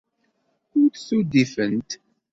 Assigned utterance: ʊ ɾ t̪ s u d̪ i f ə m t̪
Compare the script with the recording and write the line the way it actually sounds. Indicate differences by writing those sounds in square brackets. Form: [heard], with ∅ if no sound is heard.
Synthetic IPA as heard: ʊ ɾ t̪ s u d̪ i f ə [n] t̪